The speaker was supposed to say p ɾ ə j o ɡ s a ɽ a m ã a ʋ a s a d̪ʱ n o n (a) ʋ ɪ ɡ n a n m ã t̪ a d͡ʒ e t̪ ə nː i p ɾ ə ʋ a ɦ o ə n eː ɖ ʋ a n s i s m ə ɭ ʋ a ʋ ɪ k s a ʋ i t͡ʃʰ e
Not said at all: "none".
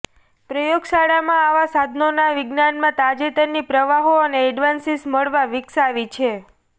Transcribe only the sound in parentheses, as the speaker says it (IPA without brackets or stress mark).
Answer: a